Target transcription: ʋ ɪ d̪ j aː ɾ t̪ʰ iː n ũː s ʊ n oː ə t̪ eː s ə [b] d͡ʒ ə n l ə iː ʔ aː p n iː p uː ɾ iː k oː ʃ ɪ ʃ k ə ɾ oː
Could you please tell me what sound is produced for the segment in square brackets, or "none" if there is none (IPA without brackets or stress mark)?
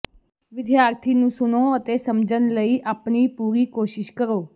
m